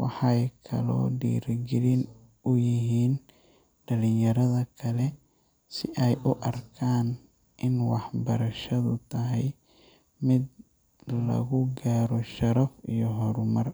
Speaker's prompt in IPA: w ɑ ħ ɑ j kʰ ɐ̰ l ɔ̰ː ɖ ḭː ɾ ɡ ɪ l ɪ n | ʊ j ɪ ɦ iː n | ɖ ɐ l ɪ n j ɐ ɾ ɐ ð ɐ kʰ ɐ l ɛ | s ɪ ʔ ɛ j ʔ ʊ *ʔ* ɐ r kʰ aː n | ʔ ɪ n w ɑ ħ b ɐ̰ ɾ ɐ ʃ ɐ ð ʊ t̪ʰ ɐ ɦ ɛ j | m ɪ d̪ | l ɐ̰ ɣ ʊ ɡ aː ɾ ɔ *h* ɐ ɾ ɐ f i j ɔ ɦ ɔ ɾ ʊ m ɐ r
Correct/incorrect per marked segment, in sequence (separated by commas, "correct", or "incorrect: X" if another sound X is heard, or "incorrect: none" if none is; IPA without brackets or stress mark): correct, incorrect: ʃ